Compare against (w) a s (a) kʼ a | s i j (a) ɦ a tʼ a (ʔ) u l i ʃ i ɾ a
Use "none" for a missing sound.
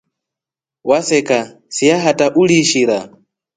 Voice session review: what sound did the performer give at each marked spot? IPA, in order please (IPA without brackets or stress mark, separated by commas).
w, ɛ, a, ʔ